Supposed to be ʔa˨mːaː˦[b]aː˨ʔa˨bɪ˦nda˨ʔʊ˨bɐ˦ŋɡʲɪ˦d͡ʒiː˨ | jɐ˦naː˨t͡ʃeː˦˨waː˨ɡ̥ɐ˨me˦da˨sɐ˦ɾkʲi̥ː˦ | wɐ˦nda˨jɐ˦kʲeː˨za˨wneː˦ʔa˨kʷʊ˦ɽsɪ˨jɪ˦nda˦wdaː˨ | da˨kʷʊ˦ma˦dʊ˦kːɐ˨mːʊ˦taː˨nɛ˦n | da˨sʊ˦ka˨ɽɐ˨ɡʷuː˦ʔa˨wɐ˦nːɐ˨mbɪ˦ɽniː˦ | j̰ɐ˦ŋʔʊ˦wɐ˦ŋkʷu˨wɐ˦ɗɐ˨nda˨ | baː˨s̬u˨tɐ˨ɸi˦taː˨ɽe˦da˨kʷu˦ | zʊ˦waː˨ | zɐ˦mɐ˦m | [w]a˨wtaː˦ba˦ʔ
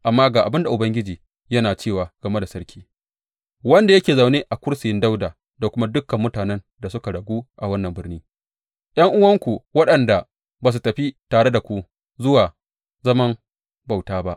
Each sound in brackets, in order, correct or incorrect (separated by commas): incorrect, incorrect